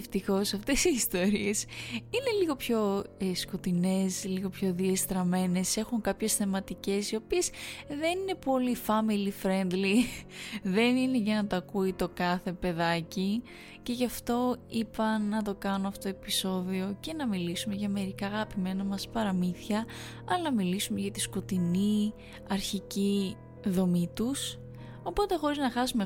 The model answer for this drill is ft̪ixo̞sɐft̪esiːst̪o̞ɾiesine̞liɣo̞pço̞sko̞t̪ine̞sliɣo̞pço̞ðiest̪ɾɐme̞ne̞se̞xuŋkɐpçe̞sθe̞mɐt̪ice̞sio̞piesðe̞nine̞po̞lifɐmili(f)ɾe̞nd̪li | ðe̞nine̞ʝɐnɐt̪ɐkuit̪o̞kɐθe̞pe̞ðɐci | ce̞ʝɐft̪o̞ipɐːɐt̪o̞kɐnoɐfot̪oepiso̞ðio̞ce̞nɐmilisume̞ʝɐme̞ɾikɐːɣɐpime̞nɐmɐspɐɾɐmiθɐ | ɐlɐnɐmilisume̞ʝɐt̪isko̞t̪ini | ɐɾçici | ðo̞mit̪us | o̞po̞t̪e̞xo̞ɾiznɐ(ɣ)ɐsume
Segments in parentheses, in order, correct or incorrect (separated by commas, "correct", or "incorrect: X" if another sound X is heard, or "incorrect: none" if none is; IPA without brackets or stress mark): correct, incorrect: x